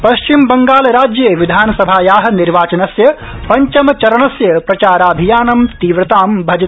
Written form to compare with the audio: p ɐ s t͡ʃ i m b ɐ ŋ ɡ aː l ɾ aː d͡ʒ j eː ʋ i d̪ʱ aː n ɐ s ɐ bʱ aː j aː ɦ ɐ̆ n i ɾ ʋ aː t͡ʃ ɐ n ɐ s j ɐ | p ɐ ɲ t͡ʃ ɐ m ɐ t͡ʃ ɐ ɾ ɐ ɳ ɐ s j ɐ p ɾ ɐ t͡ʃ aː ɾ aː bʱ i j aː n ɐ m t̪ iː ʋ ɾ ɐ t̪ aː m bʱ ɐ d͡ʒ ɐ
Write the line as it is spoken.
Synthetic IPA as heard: p ɐ ʃ t͡ʃ i m b ɐ ŋ ɡ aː l ɾ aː d͡ʒ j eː ʋ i d̪ʱ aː n ɐ s ɐ bʱ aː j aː ɦ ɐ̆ n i ɾ ʋ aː t͡ʃ ɐ n ɐ s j ɐ | p ɐ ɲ t͡ʃ ɐ m ɐ t͡ʃ ɐ ɾ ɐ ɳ ɐ s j ɐ p ɾ ɐ t͡ʃ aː ɾ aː bʱ i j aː n ɐ m t̪ iː ʋ ɾ ɐ t̪ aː m bʱ ɐ d͡ʒ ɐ